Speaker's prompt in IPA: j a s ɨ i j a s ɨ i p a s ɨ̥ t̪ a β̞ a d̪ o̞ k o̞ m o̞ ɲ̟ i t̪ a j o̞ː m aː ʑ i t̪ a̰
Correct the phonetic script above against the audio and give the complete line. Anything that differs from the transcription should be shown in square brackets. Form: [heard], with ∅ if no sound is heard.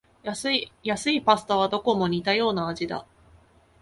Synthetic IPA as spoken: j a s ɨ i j a s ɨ i p a s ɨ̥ t̪ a β̞ a d̪ o̞ k o̞ m o̞ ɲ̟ i t̪ a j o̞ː [n] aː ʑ i [d̪] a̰